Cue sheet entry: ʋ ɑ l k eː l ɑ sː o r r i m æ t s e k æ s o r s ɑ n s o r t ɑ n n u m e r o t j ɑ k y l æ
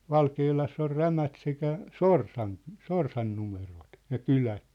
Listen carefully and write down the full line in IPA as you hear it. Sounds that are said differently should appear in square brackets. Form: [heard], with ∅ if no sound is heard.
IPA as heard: ʋ ɑ l k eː l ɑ sː o r r [æ] m æ t s e k æ s o r s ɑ n s o r [s] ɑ n n u m e r o t j ɑ k y l æ